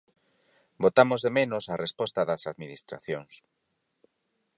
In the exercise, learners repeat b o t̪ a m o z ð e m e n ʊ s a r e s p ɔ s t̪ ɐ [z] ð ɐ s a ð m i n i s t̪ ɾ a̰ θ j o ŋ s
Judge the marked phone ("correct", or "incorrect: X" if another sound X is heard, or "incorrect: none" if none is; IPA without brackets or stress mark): incorrect: none